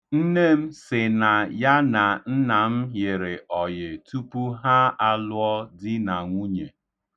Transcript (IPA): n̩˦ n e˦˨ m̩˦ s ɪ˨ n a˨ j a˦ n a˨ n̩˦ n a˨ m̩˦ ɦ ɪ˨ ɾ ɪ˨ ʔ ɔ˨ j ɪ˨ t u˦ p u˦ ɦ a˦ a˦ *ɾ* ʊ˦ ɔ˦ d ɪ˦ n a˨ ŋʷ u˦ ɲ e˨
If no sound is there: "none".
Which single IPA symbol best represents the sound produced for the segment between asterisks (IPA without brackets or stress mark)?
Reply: l